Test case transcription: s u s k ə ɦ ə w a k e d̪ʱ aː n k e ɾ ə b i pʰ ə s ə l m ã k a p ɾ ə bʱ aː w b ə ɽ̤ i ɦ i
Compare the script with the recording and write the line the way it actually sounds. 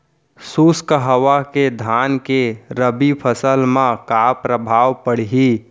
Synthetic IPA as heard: s u s k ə ɦ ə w a k e d̪ʱ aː n k e ɾ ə b i pʰ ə s ə l m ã k a p ɾ ə bʱ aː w p ə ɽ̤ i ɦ i